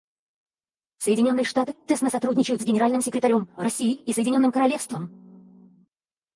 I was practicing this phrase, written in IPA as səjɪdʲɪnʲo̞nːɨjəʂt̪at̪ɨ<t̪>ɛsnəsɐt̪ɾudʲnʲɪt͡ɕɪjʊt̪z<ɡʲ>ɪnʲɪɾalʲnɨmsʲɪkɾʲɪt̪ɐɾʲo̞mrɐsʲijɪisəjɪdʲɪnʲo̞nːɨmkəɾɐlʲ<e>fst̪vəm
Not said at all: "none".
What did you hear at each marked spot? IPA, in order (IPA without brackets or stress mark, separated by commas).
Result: t̪, ɡʲ, e